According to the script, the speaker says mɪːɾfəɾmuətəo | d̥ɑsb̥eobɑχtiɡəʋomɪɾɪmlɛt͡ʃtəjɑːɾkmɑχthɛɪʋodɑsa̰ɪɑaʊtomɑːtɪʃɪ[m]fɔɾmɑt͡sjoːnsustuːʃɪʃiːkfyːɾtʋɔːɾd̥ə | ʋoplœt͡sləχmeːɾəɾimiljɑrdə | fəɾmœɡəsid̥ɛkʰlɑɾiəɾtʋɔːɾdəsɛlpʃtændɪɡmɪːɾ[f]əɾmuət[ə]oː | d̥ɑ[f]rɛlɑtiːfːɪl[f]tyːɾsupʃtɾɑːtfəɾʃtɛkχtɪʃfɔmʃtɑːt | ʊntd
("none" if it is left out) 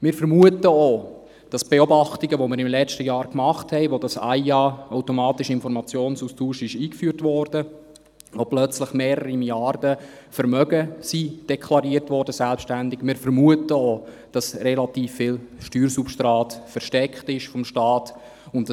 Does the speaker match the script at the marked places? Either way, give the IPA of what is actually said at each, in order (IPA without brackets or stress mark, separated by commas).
n, f, ə, s, ʃ